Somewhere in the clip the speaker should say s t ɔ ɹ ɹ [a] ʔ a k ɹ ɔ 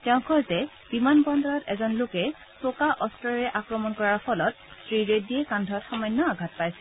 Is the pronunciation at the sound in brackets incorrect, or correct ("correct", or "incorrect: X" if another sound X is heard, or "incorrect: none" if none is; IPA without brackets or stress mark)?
incorrect: ɛ